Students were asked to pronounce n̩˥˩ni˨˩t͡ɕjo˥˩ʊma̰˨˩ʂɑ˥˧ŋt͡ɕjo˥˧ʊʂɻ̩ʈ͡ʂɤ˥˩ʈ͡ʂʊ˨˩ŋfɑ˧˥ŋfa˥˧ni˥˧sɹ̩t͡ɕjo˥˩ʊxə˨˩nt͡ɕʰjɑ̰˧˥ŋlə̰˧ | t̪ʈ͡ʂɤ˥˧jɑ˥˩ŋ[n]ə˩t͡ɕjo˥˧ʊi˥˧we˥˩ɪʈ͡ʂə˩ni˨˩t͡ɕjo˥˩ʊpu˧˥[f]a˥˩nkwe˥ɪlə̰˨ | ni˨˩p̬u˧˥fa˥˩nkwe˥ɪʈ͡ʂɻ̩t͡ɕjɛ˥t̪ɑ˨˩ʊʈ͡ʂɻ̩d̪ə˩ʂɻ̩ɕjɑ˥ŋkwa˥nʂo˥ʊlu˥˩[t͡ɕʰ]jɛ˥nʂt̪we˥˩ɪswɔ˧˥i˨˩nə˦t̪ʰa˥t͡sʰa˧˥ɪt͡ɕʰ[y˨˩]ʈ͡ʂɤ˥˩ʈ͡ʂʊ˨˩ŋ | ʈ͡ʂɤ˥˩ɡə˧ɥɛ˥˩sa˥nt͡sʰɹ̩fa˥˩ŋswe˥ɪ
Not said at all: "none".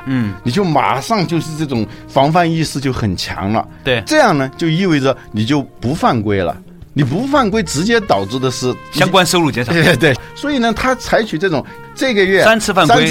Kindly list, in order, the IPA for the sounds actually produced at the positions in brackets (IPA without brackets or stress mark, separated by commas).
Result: n, f, t͡ɕ, y˨˩